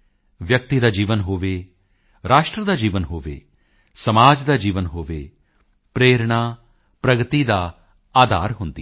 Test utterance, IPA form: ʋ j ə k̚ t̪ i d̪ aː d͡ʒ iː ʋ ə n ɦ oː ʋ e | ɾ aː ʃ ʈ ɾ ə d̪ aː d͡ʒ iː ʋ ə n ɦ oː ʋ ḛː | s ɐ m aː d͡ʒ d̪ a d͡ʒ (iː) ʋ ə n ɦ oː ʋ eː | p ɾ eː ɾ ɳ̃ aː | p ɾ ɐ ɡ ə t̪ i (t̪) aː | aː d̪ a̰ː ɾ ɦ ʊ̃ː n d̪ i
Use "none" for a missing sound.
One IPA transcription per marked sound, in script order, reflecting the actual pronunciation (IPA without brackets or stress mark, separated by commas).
iː, d̪